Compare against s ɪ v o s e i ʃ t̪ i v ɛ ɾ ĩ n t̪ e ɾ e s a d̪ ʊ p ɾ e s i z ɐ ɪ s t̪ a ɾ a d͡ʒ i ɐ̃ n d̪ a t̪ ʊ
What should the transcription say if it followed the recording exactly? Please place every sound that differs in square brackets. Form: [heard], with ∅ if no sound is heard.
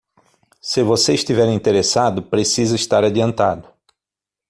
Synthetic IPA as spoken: s ɪ v o s e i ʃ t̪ i v ɛ ɾ ĩ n t̪ e ɾ e s a d̪ ʊ p ɾ e s i z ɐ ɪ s t̪ a ɾ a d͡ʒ i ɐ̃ n [t̪] a [d̪] ʊ